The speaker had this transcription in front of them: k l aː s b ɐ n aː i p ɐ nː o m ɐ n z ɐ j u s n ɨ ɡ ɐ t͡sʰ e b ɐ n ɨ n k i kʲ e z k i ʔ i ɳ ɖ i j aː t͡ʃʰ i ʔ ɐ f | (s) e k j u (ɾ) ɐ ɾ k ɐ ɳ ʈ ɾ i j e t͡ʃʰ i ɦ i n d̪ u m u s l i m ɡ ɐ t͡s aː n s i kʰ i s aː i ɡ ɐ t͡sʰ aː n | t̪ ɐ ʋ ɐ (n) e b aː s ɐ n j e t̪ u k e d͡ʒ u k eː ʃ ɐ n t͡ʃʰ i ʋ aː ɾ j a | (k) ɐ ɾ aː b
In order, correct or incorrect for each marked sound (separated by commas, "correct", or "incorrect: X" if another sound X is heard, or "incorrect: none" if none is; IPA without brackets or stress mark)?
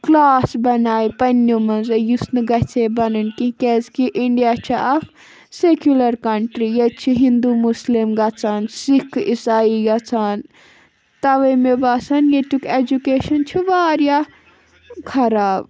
correct, incorrect: l, incorrect: m, incorrect: kʰ